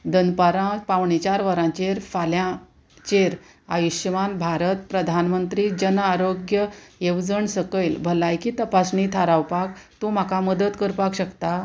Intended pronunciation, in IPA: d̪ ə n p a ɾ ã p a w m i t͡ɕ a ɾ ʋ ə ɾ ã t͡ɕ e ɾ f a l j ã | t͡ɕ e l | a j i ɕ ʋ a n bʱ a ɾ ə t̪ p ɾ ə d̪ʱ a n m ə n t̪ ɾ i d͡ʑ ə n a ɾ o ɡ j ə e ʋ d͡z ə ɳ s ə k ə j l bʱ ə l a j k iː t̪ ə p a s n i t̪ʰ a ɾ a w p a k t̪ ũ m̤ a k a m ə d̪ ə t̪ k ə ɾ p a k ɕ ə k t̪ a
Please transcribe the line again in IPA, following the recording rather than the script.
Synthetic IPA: d̪ ə n p a ɾ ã p a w ɳ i t͡ɕ a ɾ ʋ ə ɾ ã t͡ɕ e ɾ f a l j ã | t͡ɕ e ɾ | a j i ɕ ʋ a n bʱ a ɾ ə t̪ p ɾ ə d̪ʱ a n m ə n t̪ ɾ i d͡ʑ ə n a ɾ o ɡ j ə e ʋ d͡z ə ɳ s ə k ə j l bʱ ə l a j k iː t̪ ə p a s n i t̪ʰ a ɾ a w p a k t̪ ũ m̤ a k a m ə d̪ ə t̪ k ə ɾ p a k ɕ ə k t̪ a

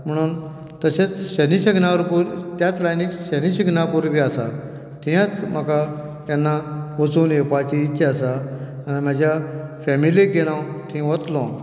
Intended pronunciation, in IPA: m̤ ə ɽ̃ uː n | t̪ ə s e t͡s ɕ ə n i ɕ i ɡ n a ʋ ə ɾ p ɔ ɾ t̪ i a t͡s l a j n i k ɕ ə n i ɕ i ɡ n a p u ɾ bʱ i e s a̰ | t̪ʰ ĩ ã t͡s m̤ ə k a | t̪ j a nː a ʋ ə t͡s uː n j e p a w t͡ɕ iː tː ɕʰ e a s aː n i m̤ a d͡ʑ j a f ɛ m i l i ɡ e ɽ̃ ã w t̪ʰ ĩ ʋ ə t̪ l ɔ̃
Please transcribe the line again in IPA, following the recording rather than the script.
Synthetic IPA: m̤ ə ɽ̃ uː n | t̪ ə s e t͡s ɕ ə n i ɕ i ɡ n a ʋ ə ɾ p u ɾ t̪ j a t͡s l a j n i k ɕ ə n i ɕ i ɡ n a p u ɾ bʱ i a s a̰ | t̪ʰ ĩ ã t͡s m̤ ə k a | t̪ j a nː a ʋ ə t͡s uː n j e p a t͡ɕ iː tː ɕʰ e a s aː n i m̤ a d͡ʑ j a f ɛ m i l i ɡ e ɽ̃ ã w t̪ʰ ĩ ʋ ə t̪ l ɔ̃

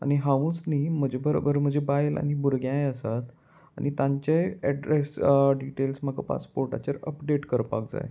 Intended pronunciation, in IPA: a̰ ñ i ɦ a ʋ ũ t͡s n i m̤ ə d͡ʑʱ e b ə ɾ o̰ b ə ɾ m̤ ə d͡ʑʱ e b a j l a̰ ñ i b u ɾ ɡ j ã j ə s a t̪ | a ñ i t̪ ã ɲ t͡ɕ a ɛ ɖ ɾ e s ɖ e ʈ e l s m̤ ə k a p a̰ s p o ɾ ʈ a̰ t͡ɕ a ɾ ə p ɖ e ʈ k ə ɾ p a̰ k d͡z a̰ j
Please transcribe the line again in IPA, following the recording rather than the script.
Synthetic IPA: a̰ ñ i ɦ a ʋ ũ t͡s n i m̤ ə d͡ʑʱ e b ə ɾ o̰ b ə ɾ m̤ ə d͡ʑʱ e b a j l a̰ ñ i b u ɾ ɡ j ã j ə s a t̪ | a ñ i t̪ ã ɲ t͡ɕ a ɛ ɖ ɾ e s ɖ i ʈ e l s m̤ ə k a p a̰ s p o ɾ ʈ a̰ t͡ɕ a ɾ ə p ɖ e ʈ k ə ɾ p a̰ k d͡z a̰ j

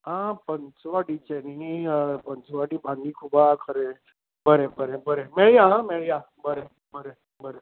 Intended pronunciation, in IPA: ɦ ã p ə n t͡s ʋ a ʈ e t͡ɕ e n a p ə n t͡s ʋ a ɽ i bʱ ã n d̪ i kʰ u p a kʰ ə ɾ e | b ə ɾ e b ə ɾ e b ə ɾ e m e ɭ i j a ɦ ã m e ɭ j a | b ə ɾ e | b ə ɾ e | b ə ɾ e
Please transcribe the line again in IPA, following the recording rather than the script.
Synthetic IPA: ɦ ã p ə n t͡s ʋ a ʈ i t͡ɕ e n i p ə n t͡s ʋ a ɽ i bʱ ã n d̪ i kʰ u b a kʰ ə ɾ e | b ə ɾ e b ə ɾ e b ə ɾ e m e ɭ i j a ɦ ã m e ɭ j a | b ə ɾ e | b ə ɾ e | b ə ɾ e

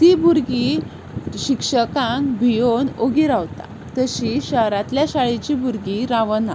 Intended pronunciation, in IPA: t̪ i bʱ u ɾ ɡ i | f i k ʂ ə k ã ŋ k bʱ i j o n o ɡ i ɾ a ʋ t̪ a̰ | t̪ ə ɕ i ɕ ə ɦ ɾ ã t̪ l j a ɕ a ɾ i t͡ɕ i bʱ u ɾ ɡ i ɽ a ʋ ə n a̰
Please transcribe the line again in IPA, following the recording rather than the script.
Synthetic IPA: t̪ i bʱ u ɾ ɡ i | ɕ i k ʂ ə k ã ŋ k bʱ i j o n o ɡ i ɾ a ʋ t̪ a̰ | t̪ ə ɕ i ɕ ə ɦ ɾ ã t̪ l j a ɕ a ɭ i t͡ɕ i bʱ u ɾ ɡ i ɾ a ʋ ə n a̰

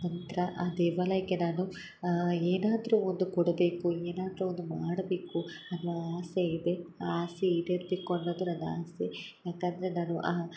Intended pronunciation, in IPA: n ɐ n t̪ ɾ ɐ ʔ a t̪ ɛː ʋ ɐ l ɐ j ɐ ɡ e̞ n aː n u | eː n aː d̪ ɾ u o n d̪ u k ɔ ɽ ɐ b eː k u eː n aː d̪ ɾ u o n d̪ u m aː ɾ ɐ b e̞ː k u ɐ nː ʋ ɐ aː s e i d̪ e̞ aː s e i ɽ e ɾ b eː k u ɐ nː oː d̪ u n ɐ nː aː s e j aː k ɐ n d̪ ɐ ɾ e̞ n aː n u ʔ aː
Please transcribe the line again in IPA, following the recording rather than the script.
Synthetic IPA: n ɐ n t̪ ɾ ɐ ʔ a d̪ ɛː ʋ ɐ l ɐ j ɐ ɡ e̞ n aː n u | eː n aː d̪ ɾ u o n d̪ u k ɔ ɽ ɐ b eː k u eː n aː d̪ ɾ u o n d̪ u m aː ɽ ɐ b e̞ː k u ɐ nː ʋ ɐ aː s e i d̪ e̞ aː s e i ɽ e ɾ b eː k u ɐ nː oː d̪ u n ɐ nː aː s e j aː k ɐ n d̪ ɐ ɾ e̞ n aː n u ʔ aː

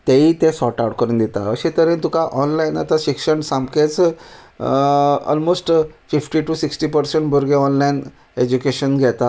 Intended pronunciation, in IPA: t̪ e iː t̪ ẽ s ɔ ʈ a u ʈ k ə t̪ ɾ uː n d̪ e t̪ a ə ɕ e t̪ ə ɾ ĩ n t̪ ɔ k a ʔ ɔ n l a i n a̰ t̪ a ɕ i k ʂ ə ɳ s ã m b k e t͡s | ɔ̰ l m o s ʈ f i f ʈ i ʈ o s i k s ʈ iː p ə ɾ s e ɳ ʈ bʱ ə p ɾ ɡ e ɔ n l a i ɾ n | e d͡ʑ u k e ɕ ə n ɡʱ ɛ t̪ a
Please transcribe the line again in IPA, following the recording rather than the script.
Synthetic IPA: t̪ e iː t̪ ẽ s ɔ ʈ a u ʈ k ə ɾ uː n d̪ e t̪ a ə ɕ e t̪ ə ɾ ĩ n t̪ u k a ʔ ɔ n l a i n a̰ t̪ a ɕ i k ʂ ə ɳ s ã m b k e t͡s | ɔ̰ l m o s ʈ f i f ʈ i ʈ u s i k s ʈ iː p ə ɾ s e ɳ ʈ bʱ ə ɾ ɡ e ɔ n l a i n | e d͡ʑ u k e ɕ ə n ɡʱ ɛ t̪ a

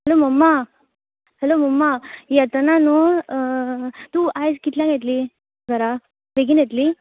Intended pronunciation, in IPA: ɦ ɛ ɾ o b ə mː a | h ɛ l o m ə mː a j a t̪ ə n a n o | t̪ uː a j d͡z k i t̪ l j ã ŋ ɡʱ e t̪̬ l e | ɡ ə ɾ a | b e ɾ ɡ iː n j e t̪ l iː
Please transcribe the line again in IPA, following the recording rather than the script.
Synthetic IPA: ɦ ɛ l o m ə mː a | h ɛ l o m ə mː a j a t̪ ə n a n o | t̪ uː a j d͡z k i t̪ l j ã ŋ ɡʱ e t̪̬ l i | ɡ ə ɾ a | b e ɡ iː n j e t̪ l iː

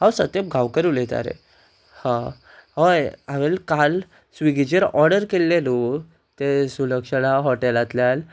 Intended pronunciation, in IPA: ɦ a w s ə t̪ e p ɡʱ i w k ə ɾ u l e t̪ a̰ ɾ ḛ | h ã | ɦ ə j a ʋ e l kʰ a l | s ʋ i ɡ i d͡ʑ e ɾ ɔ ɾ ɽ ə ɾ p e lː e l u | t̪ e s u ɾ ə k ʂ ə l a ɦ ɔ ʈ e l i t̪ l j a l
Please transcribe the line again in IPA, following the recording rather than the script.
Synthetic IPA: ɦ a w s ə t̪ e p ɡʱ a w k ə ɾ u l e t̪ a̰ ɾ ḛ | h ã | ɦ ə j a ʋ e l k a l | s ʋ i ɡ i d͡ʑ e ɾ ɔ ɾ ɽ ə ɾ k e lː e l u | t̪ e s u l ə k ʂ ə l a ɦ ɔ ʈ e l a t̪ l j a l

